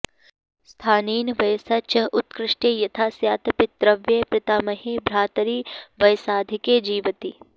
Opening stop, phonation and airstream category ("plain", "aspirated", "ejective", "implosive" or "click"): aspirated